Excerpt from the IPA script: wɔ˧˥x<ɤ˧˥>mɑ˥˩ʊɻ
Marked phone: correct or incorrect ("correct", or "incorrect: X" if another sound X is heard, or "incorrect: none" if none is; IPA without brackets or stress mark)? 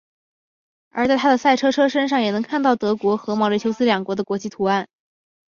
correct